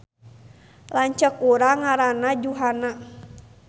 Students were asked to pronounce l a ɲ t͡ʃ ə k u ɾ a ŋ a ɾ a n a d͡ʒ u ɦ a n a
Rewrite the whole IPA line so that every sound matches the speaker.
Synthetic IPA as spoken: l a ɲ t͡ʃ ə k u ɾ a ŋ a ɾ a n a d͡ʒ u ɦ a n a